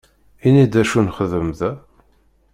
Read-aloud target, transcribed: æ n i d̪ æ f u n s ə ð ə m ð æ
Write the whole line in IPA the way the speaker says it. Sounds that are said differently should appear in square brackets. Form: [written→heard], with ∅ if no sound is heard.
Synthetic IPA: [æ→i] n i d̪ æ [f→ʃ] u n [s→χ] ə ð ə m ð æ